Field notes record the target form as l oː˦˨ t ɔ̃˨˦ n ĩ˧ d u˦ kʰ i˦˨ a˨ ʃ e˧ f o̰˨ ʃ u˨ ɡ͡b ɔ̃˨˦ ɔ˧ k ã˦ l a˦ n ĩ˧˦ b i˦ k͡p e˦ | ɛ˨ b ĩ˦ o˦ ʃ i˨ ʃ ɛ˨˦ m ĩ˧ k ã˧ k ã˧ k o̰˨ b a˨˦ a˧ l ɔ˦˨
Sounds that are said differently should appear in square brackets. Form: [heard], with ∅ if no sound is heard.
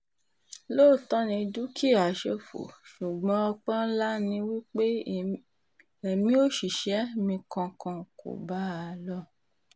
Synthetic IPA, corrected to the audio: l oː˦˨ t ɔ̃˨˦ n ĩ˧ d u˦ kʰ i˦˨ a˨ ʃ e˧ f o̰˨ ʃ u˨ ɡ͡b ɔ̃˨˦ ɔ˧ [k͡p] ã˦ l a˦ n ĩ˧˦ [w] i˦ k͡p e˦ | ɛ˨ [m] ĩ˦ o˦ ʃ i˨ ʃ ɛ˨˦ m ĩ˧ k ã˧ k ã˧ k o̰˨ b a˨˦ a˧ l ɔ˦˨